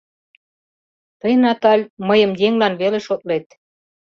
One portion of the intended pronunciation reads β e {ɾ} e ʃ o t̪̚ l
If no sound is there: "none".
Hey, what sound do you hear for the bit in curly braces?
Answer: l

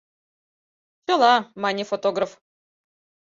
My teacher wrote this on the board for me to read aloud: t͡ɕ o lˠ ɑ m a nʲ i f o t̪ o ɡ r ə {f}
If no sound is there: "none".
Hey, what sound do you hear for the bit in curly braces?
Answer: f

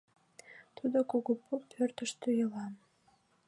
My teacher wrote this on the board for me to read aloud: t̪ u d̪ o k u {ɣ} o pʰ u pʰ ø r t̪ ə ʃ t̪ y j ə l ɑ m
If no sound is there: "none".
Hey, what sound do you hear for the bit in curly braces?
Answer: ɣ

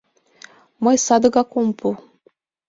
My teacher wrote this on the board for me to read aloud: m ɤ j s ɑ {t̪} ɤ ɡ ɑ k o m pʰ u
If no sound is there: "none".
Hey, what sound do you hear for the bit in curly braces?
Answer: d̪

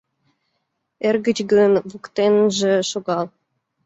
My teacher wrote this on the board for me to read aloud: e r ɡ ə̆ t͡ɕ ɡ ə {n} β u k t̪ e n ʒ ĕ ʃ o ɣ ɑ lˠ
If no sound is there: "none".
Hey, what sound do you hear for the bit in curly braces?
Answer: n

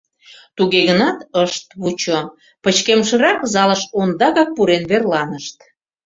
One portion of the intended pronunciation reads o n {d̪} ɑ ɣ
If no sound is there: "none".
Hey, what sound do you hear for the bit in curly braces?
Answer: d̪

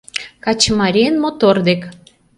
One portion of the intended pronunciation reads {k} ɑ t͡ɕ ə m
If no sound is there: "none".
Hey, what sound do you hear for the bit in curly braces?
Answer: k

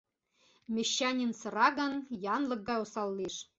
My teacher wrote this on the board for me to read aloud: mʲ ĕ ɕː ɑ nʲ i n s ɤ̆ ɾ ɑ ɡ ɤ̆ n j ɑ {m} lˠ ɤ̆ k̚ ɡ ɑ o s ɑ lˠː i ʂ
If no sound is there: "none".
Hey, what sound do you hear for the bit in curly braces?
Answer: n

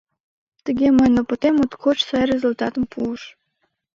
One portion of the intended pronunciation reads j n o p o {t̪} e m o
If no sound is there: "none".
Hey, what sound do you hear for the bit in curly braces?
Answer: t̪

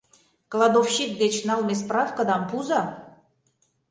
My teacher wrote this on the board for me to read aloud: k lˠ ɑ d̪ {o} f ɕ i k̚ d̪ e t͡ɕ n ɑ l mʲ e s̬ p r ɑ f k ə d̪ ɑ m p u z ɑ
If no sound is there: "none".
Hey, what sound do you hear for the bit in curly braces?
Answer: o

